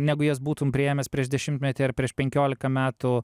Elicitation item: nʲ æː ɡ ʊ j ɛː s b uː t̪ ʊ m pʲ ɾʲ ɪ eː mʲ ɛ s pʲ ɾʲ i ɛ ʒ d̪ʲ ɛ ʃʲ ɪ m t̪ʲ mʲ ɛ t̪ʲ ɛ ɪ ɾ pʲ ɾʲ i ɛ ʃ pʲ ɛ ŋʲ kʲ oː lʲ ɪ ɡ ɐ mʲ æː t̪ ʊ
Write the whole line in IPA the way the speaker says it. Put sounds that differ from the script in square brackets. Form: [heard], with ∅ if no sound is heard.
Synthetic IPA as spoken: nʲ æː ɡ ʊ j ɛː s b uː t̪ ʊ m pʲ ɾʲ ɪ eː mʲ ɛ s pʲ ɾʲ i ɛ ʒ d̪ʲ ɛ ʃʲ ɪ m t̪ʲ mʲ ɛ t̪ʲ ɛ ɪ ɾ pʲ ɾʲ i ɛ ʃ pʲ ɛ ŋʲ kʲ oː lʲ ɪ [k] ɐ mʲ æː t̪ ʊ